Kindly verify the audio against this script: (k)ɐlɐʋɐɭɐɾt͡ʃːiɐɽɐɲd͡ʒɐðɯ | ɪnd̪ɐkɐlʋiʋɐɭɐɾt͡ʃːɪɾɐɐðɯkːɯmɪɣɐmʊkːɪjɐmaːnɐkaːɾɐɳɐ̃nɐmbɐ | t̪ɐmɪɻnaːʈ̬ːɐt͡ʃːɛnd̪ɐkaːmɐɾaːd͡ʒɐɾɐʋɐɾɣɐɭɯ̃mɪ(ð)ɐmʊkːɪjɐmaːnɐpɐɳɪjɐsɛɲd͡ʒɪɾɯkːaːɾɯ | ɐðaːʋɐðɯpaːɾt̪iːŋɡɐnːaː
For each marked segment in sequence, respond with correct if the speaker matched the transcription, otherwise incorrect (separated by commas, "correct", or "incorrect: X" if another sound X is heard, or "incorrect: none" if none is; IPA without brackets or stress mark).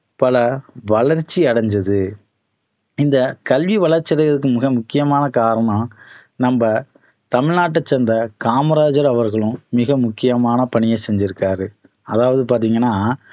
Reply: incorrect: p, incorrect: ɣ